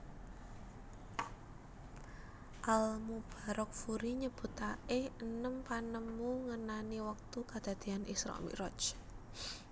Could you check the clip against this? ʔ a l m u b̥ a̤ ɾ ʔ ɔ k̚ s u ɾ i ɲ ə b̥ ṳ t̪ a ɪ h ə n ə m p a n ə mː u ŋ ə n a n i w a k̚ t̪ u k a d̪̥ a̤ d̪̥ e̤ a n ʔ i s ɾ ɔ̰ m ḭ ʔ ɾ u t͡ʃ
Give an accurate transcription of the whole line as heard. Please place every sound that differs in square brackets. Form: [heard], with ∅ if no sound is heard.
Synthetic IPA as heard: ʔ a l m u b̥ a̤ ɾ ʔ ɔ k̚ [f] u ɾ i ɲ ə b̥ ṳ t̪ a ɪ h ə n ə m p a n ə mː u ŋ ə n a n i w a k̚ t̪ u k a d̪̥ a̤ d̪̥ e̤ a n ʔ i s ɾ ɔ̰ m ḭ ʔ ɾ [ɔ] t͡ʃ